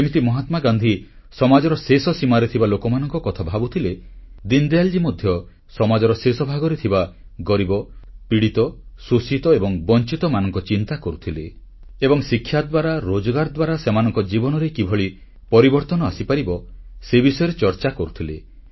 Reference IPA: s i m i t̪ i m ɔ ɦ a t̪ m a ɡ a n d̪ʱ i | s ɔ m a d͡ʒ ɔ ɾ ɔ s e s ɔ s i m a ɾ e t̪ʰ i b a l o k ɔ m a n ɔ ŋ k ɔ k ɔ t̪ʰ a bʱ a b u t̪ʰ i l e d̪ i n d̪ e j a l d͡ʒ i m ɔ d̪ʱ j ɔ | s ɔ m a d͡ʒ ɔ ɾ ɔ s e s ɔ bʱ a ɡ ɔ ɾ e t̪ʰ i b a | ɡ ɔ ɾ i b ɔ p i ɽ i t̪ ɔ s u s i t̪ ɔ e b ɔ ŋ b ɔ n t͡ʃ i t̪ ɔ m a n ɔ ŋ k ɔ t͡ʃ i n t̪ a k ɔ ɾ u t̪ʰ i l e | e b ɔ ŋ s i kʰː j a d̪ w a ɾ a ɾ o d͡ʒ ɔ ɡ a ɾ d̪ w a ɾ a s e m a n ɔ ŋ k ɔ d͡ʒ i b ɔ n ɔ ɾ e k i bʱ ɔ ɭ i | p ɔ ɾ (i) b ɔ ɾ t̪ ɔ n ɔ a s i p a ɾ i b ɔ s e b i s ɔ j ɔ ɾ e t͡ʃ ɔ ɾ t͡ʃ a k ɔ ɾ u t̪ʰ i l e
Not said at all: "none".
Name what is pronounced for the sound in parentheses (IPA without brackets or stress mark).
i